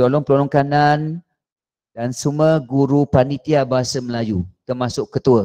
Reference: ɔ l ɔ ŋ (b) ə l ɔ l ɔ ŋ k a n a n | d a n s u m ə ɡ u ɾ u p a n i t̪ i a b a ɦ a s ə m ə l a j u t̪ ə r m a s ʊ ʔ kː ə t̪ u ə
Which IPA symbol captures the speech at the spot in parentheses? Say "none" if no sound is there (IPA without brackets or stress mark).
p